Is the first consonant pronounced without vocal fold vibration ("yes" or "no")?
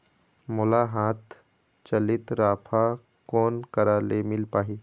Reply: no